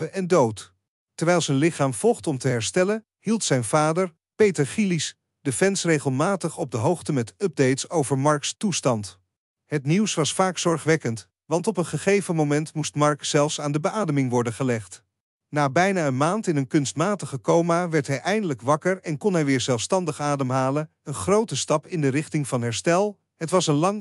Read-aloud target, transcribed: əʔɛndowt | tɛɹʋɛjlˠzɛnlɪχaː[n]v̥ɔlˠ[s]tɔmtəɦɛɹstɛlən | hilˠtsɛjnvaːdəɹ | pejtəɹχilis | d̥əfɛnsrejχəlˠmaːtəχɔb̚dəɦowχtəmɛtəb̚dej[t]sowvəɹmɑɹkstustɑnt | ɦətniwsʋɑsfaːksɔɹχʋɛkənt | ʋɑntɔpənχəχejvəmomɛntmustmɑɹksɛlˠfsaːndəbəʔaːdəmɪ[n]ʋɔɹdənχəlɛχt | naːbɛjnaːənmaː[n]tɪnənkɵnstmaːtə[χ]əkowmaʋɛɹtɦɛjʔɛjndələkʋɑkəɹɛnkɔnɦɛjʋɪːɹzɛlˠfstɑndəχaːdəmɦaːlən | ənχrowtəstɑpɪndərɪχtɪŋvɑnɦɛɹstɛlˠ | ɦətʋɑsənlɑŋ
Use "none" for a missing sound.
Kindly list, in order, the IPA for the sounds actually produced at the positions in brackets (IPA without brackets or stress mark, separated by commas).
m, χ, t, ŋ, n, χ